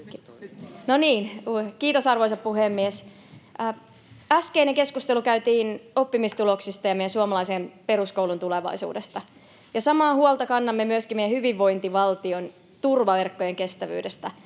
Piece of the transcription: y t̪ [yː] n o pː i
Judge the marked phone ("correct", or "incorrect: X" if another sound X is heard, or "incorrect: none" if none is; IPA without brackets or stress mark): incorrect: iː